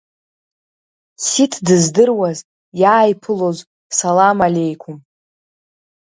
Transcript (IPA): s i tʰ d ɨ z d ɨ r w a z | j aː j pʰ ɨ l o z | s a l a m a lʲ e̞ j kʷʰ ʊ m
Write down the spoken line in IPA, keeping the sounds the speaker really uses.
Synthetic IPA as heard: s i tʰ d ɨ z d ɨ r w a z | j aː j pʰ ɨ l o z | s a l a m a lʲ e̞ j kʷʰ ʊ m